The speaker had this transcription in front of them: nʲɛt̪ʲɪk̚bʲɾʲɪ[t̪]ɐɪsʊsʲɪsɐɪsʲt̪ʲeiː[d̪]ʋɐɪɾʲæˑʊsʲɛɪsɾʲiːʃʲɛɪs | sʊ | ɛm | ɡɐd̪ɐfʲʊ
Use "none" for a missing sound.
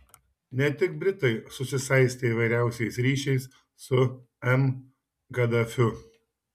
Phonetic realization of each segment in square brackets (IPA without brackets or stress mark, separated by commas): t̪, none